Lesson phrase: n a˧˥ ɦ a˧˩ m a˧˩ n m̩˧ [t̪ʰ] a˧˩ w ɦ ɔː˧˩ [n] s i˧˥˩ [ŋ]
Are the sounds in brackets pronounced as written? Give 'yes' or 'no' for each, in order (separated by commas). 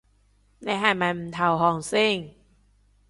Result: yes, no, yes